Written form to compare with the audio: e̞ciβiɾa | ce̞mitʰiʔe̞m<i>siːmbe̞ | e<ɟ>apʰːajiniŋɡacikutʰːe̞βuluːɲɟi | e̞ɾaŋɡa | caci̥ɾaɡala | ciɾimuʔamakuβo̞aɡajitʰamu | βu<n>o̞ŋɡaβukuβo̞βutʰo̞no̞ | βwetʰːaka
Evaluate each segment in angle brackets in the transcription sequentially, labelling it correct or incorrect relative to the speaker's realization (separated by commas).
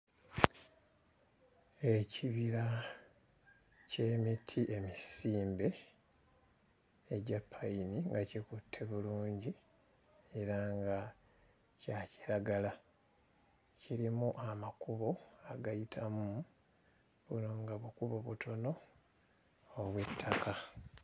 correct, correct, correct